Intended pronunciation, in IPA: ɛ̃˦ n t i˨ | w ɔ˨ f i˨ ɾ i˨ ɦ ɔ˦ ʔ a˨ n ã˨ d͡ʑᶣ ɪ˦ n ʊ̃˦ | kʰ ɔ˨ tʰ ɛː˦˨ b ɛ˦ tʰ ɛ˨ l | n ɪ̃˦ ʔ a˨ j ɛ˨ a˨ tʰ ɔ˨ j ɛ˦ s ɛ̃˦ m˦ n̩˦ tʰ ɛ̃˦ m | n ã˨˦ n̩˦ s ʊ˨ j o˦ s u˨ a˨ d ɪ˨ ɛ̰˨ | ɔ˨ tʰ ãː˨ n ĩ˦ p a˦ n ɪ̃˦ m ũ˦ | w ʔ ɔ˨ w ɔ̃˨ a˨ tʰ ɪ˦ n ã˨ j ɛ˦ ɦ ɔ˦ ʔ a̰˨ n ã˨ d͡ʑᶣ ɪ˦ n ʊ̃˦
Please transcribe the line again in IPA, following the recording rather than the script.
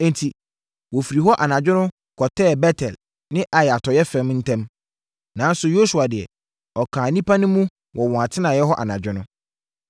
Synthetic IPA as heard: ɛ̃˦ n tʰ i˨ | w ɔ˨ f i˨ ɾ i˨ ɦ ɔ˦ ʔ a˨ n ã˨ d͡ʑᶣ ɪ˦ n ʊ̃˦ | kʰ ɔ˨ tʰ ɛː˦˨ b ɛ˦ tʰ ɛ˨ l | n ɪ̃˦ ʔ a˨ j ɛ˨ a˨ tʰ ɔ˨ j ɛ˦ f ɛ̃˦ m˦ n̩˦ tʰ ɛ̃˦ m | n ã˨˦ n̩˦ s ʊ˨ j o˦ s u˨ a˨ d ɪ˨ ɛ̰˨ | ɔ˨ kʰ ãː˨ n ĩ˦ p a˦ n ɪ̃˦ m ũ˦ | w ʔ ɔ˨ w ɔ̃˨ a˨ tʰ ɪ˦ n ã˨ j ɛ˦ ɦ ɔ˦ ʔ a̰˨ n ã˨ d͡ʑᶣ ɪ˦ n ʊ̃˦

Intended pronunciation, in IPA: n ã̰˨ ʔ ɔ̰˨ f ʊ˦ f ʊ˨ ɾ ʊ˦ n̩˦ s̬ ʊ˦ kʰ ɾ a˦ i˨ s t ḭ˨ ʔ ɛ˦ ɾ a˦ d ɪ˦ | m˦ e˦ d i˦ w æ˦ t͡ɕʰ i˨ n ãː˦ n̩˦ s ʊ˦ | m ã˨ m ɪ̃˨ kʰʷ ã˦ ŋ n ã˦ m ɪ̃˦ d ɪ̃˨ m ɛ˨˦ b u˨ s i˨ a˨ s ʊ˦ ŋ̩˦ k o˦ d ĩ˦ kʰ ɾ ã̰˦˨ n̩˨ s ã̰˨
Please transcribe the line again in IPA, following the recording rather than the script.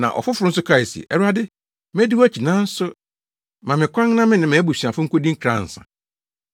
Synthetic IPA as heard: n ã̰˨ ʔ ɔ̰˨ f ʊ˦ f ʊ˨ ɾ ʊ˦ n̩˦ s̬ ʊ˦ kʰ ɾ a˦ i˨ s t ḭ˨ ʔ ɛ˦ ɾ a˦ d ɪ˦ | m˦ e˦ d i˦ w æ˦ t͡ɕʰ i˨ n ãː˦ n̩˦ s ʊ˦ | m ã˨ m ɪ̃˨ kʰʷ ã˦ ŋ n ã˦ m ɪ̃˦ n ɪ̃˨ m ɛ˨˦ b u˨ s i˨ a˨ f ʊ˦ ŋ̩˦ k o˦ d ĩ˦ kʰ ɾ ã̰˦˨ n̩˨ s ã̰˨

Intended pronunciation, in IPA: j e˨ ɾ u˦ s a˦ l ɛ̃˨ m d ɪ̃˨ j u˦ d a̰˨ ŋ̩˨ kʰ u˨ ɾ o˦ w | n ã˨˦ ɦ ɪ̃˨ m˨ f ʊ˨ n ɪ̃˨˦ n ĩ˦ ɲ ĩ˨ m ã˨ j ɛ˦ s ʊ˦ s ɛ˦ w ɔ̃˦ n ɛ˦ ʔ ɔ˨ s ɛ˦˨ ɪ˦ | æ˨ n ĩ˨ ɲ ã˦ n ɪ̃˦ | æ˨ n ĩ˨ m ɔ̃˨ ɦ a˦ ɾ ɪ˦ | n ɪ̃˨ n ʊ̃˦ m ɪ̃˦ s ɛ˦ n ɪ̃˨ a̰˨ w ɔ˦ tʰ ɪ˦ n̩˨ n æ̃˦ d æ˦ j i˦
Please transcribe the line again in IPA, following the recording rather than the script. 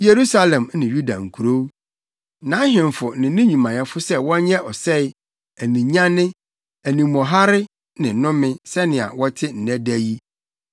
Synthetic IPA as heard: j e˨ ɾ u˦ s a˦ l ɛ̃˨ m n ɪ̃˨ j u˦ d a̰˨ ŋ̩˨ kʰ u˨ ɾ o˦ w | n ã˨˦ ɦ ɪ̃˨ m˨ f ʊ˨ n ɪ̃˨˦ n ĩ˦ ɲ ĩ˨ m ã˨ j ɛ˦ f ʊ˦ s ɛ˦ w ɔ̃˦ ɲ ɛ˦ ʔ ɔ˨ s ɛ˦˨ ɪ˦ | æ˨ n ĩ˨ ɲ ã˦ n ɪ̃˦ | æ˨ n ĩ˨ m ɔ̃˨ ɦ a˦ ɾ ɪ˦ | n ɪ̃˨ n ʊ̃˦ m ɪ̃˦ s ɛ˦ n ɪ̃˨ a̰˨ w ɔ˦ tʰ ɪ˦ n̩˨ n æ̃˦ d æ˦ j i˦

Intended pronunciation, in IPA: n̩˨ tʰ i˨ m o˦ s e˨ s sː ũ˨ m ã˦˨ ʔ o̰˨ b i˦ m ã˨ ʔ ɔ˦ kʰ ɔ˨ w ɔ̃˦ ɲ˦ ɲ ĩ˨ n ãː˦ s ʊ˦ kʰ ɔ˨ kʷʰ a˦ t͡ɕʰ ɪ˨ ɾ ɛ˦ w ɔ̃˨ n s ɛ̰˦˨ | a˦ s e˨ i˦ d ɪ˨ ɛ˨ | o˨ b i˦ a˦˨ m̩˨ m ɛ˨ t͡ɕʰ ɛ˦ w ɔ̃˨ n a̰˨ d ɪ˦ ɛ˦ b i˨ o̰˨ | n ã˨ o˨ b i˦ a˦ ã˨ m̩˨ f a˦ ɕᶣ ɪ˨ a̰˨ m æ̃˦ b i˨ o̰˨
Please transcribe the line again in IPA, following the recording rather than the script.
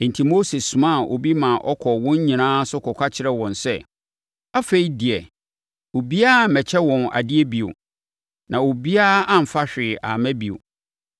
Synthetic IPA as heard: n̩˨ tʰ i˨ m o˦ s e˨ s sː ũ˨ m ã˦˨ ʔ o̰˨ b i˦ m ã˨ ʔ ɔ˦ kʰ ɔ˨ w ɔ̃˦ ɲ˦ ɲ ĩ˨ n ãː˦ s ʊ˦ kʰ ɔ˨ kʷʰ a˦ t͡ɕʰ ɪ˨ ɾ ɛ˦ w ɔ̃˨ n s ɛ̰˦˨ | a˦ f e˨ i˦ d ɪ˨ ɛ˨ | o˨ b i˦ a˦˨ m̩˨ m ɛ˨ t͡ɕʰ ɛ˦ w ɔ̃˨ n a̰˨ d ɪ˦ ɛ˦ b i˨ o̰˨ | n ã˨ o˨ b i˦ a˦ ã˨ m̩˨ f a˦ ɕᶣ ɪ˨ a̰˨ m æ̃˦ b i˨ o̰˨

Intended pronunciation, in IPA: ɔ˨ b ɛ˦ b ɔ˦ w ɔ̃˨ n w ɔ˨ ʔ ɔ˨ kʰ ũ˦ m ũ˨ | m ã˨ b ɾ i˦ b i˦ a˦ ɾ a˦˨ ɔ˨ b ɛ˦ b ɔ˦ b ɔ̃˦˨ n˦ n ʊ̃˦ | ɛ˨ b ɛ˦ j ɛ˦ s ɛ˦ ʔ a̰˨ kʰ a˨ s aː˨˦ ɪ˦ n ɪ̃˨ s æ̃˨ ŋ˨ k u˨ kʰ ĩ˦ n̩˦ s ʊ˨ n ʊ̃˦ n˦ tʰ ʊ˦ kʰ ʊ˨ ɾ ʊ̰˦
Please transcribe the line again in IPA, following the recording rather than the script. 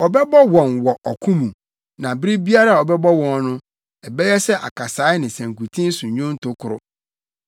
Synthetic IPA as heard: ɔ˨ b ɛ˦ b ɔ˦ w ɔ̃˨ n w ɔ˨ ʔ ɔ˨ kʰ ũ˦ m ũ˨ | n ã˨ b ɾ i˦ b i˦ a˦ ɾ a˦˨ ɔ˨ b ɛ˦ b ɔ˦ w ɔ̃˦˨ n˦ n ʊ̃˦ | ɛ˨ b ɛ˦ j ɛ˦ s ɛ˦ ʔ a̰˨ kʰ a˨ s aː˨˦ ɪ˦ n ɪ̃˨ s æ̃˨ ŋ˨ k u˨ tʰ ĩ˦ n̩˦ s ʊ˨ ɲ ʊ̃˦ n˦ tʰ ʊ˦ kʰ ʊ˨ ɾ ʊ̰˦

